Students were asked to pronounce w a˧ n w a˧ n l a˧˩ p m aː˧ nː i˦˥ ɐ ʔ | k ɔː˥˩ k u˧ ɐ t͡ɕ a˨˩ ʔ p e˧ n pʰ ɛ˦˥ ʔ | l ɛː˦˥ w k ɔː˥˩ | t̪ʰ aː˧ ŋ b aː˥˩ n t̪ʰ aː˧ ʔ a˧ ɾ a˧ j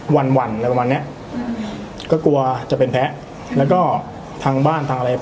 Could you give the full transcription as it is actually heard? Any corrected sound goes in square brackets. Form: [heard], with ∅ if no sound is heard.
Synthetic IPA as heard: w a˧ n w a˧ n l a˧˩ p m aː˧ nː i˦˥ ɐ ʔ | k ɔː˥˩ k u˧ ɐ t͡ɕ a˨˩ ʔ p e˧ n pʰ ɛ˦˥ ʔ | l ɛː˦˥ w k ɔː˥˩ | t̪ʰ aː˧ ŋ b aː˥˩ n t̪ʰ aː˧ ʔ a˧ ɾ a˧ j